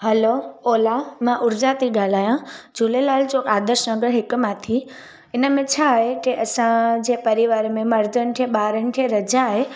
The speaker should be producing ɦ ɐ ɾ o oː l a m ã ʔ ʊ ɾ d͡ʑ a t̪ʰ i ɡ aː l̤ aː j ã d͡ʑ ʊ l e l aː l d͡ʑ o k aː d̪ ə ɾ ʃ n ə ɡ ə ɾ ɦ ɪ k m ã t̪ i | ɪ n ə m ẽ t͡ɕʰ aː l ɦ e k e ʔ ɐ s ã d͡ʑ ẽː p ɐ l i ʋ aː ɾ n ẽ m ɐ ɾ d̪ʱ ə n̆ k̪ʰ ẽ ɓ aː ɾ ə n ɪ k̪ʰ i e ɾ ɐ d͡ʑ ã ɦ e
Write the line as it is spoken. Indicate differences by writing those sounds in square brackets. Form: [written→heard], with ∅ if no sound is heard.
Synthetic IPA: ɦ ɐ [ɾ→l] o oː l a m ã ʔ ʊ ɾ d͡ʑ a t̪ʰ i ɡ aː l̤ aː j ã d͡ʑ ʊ l e l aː l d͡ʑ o k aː d̪ ə ɾ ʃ n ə ɡ ə ɾ ɦ ɪ k m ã [t̪→t̪ʰ] i | ɪ n ə m ẽ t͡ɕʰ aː [l→∅] ɦ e k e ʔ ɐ s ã d͡ʑ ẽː p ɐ [l→ɾ] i ʋ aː ɾ [n→m] ẽ m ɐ ɾ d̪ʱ ə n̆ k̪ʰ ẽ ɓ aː ɾ ə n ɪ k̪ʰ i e ɾ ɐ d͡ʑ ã ɦ e